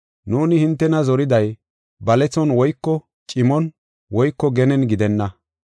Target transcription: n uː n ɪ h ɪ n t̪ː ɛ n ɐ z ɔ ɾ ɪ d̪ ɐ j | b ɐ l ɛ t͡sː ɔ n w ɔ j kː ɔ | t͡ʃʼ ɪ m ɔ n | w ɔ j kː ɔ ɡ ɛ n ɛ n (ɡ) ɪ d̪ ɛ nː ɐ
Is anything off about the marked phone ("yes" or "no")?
no